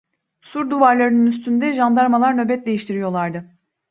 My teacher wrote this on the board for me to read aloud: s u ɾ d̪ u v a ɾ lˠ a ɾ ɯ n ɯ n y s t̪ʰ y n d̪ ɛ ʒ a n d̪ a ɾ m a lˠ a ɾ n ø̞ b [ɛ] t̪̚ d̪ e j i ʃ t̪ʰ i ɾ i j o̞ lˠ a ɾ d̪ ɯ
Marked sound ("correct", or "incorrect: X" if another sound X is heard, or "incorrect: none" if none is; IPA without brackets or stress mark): correct